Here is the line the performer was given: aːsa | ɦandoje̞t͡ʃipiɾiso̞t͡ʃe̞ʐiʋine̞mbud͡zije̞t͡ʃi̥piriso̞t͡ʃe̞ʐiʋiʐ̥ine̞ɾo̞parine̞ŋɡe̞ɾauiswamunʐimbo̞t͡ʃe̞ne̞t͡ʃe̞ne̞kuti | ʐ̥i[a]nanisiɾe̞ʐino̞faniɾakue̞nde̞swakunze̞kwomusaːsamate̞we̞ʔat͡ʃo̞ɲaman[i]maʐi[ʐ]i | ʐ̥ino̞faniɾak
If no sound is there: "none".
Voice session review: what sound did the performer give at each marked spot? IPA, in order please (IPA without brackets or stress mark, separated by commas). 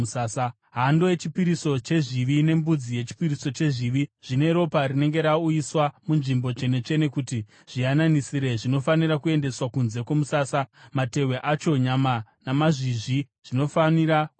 a, a, ʐ